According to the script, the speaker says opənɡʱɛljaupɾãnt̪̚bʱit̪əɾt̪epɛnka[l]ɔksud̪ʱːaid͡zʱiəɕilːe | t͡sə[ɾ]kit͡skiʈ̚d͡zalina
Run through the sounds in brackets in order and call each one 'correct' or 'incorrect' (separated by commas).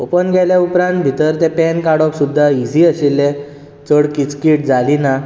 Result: incorrect, incorrect